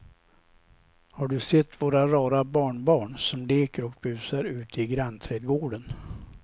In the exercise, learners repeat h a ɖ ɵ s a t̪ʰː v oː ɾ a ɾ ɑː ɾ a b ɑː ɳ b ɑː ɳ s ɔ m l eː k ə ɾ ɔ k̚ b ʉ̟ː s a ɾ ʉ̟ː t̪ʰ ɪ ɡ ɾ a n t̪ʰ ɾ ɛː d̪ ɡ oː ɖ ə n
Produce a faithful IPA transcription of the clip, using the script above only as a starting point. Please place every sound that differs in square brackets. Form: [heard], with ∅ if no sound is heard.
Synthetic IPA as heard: h a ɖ ɵ s [ɛ] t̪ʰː v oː ɾ a ɾ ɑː ɾ a b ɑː ɳ b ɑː ɳ s ɔ m l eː k ə ɾ ɔ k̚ b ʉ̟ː s a ɾ ʉ̟ː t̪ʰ ɪ ɡ ɾ a n t̪ʰ ɾ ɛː d̪ ɡ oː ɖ ə n